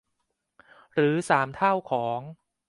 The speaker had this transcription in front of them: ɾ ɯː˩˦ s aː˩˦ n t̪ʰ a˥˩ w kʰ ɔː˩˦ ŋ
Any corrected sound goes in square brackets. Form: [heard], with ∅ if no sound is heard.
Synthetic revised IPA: ɾ ɯː˩˦ s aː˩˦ [m] t̪ʰ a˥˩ w kʰ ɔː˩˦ ŋ

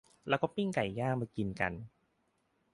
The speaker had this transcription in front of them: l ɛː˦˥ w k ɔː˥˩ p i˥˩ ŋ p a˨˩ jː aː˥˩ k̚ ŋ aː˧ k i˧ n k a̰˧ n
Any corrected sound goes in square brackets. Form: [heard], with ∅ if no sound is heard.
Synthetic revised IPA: l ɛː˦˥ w k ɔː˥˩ p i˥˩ ŋ [k] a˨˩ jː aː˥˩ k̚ [m] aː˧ k i˧ n k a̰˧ n

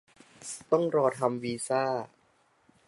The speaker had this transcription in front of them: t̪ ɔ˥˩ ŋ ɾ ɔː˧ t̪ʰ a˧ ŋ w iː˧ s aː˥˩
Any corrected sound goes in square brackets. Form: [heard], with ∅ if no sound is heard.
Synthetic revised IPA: t̪ ɔ˥˩ ŋ ɾ ɔː˧ t̪ʰ a˧ [m] w iː˧ s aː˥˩

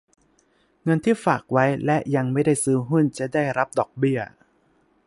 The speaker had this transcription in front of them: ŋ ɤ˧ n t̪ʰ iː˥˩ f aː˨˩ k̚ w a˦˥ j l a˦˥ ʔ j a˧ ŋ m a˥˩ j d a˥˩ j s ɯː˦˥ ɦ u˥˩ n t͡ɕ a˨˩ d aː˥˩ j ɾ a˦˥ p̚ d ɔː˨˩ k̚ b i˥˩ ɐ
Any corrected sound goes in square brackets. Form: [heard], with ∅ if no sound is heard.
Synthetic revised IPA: ŋ ɤ˧ n t̪ʰ iː˥˩ f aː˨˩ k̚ w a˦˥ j l [ɛ˦˥] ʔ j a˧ ŋ m a˥˩ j d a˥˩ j s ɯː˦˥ ɦ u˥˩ n t͡ɕ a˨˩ d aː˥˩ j ɾ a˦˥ p̚ d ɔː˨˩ k̚ b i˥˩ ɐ

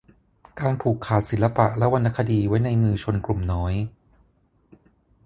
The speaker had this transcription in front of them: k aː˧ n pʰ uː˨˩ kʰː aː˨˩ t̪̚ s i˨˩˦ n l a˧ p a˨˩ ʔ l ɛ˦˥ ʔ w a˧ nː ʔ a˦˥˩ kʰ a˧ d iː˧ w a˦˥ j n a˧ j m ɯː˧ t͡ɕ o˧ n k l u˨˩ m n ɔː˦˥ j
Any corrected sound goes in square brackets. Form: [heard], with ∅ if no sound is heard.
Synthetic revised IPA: k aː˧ n pʰ uː˨˩ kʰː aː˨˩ t̪̚ s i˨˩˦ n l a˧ p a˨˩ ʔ l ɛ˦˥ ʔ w a˧ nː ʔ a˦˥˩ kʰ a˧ d iː˧ w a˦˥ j n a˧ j m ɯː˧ [t͡ɕʰ] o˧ n k l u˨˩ m n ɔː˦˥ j

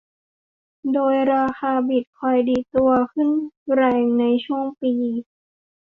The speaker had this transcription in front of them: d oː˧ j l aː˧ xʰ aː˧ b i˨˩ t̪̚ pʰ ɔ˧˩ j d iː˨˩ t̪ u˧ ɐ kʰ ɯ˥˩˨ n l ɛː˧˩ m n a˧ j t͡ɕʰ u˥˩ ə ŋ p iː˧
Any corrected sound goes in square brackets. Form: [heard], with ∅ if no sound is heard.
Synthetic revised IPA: d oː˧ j [ɾ] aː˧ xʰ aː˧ b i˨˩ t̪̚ [kʰ] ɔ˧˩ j d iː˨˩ t̪ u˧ ɐ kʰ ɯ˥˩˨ n [ɾ] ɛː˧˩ [ŋ] n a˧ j t͡ɕʰ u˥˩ ə ŋ p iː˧

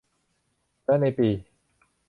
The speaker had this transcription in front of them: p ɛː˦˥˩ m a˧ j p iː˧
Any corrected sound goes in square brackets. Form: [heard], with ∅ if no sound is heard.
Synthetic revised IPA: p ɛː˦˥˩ [n] a˧ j p iː˧

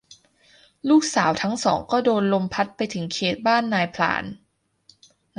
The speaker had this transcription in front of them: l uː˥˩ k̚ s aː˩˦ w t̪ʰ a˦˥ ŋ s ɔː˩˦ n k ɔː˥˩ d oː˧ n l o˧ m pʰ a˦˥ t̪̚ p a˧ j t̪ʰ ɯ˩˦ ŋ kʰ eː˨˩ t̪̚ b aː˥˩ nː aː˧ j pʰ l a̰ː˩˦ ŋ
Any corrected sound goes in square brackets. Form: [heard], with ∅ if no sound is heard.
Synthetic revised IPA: l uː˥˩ k̚ s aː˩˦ w t̪ʰ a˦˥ ŋ s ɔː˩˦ [ŋ] k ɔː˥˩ d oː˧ n l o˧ m pʰ a˦˥ t̪̚ p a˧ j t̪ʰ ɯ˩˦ ŋ kʰ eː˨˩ t̪̚ b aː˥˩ nː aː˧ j pʰ l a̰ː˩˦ [n]

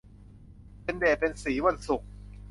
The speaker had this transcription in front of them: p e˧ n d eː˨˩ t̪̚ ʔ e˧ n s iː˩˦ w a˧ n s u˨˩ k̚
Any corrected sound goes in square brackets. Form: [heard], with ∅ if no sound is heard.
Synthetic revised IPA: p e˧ n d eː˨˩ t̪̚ [p] e˧ n s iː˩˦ w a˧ n s u˨˩ k̚

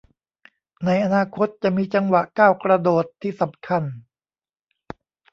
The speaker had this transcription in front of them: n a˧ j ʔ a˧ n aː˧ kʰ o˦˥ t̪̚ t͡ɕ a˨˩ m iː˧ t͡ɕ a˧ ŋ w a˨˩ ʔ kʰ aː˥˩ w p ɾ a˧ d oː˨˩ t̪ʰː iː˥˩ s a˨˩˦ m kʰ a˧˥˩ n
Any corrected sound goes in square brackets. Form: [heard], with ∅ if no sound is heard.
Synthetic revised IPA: n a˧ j ʔ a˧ n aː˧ kʰ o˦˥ t̪̚ t͡ɕ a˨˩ m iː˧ t͡ɕ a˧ ŋ w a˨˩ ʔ [k] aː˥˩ w [k] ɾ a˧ d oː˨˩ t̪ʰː iː˥˩ s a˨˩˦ m kʰ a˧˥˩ n

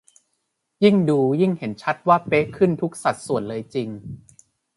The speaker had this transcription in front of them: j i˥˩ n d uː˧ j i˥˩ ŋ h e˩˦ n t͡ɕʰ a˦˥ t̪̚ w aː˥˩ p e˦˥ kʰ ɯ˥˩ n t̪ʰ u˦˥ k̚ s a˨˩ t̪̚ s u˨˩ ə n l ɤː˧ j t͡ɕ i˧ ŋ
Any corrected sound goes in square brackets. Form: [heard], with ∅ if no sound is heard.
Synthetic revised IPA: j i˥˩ [ŋ] d uː˧ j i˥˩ ŋ h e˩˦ n t͡ɕʰ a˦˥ t̪̚ w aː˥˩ p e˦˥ kʰ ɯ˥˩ n t̪ʰ u˦˥ k̚ s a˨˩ t̪̚ s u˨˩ ə n l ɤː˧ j t͡ɕ i˧ ŋ

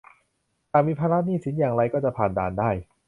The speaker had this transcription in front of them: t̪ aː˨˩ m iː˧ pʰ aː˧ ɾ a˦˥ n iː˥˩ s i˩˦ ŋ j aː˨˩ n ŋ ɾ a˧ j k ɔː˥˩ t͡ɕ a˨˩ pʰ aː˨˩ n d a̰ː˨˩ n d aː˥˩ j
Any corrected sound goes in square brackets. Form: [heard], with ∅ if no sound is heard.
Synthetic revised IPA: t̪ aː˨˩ m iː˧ pʰ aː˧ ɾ a˦˥ n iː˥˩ s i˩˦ [n] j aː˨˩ [∅] ŋ ɾ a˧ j k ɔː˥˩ t͡ɕ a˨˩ pʰ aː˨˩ n d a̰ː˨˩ n d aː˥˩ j

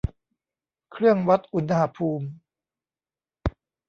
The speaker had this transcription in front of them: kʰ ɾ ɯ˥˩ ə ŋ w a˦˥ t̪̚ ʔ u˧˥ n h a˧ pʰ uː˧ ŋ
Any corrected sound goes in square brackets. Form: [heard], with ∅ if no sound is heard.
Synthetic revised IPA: kʰ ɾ ɯ˥˩ ə ŋ w a˦˥ t̪̚ ʔ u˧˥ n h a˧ pʰ uː˧ [m]

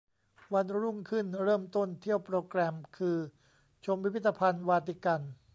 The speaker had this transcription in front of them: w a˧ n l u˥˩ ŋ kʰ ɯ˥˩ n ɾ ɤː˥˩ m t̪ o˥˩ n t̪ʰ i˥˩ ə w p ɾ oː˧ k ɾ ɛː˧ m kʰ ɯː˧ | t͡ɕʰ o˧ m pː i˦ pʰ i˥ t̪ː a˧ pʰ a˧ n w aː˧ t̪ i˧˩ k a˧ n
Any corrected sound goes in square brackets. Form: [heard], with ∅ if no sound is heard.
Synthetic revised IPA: w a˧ n [ɾ] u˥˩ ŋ kʰ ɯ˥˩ n ɾ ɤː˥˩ m t̪ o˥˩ n t̪ʰ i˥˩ ə w p ɾ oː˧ k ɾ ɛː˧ m kʰ ɯː˧ | t͡ɕʰ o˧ m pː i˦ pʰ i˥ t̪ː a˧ pʰ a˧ n w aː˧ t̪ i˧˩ k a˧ n

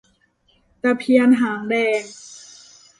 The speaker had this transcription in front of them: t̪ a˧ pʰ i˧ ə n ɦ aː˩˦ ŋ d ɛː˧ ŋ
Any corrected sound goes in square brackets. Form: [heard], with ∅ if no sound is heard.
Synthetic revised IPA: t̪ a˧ pʰ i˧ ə n ɦ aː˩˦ ŋ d ɛː˧ ŋ

